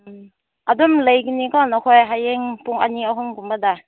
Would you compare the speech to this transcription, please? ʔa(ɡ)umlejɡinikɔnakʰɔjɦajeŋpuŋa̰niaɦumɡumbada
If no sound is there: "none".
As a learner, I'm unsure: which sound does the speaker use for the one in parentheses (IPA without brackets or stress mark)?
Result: d